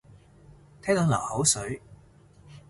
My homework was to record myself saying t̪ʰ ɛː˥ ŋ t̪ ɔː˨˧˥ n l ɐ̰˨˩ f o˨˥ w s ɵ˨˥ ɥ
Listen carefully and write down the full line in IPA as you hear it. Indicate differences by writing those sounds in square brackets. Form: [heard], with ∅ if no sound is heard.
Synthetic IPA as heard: t̪ʰ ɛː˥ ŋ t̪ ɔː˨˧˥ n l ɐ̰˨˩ [h] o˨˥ w s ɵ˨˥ ɥ

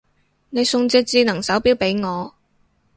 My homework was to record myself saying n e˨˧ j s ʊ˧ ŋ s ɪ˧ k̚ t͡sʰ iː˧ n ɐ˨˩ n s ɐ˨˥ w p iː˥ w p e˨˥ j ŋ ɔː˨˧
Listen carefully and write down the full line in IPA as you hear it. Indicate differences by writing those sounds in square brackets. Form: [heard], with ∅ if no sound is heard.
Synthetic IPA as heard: n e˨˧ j s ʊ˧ ŋ [t͡s] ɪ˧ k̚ [t͡s] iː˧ n ɐ˨˩ [ŋ] s ɐ˨˥ w p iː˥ w p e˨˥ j ŋ ɔː˨˧

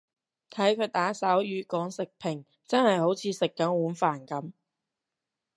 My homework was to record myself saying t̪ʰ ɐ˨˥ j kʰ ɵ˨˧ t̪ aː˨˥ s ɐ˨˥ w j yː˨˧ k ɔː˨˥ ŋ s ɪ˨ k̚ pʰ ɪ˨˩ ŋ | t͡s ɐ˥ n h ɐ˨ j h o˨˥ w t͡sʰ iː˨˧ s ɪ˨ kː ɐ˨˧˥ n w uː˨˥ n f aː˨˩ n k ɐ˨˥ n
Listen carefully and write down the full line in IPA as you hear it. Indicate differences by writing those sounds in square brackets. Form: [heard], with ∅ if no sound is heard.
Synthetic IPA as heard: t̪ʰ ɐ˨˥ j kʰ ɵ˨˧ t̪ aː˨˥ s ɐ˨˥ w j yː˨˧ k ɔː˨˥ ŋ s ɪ˨ k̚ pʰ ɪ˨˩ ŋ | t͡s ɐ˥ n h ɐ˨ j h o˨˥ w t͡sʰ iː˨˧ s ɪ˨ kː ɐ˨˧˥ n w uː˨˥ n f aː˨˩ n k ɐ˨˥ [m]

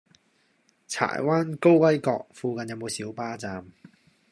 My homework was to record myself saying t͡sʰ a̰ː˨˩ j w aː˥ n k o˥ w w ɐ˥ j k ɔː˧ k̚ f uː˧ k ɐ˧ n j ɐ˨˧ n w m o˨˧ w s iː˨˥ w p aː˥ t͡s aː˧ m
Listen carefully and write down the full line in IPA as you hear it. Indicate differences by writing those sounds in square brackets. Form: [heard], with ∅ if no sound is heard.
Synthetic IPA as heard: t͡sʰ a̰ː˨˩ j w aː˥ n k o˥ w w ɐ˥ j k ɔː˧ k̚ f uː˧ k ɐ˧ n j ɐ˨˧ [∅] w m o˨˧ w s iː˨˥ w p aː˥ t͡s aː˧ m

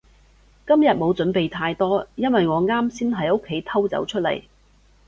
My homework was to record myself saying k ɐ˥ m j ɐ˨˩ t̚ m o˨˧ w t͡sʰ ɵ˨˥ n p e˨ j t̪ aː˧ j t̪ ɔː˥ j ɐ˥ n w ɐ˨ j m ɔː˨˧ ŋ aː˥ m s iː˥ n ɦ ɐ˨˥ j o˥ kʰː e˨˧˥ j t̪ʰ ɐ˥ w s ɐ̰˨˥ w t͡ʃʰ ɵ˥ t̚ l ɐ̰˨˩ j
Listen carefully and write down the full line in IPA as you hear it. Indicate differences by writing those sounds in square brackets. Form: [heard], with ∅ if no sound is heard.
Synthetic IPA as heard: k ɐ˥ m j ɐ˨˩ t̚ m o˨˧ w [t͡s] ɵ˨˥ n p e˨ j [t̪ʰ] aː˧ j t̪ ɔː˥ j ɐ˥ n w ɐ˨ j [ŋ] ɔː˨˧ ŋ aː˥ m s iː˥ n ɦ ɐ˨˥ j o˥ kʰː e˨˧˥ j t̪ʰ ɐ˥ w [t͡s] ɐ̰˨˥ w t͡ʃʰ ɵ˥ t̚ l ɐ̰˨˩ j

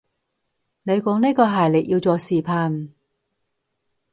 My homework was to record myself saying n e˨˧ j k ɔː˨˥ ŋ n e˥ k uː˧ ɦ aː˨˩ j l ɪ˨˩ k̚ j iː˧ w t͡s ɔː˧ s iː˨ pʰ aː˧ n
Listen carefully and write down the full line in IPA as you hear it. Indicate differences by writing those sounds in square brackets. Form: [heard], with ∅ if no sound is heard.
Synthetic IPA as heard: n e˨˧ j k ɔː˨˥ ŋ n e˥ k [ɔː˧] ɦ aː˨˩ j l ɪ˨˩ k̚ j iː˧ w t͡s ɔː˧ s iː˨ pʰ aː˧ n

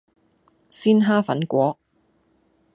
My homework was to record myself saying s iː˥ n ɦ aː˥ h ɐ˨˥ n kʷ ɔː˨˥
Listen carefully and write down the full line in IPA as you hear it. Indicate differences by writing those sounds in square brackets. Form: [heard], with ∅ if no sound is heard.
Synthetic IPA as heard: s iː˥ n ɦ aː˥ [f] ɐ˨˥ n kʷ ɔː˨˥

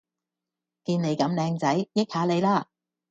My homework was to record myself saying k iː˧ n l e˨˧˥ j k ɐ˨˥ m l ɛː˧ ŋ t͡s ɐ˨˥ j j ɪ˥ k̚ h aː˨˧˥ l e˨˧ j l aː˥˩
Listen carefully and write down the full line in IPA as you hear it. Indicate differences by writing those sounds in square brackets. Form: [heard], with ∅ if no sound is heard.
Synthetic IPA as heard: k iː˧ n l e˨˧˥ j k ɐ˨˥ m l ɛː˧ ŋ t͡s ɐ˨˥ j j ɪ˥ k̚ h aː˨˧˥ l e˨˧ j l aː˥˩

